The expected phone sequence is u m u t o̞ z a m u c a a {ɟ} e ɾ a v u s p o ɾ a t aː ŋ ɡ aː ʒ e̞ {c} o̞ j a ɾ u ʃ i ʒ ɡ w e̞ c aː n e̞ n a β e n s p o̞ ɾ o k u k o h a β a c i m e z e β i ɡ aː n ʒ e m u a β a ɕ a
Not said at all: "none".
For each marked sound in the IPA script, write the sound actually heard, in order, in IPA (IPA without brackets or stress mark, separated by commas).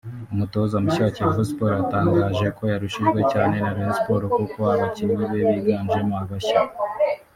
c, k